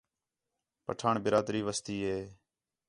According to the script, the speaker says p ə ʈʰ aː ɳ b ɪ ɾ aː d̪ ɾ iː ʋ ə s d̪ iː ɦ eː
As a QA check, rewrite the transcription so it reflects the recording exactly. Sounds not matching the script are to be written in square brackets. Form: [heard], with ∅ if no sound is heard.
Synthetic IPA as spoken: p ə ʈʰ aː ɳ b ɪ ɾ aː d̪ ɾ iː ʋ ə s [t̪] iː ɦ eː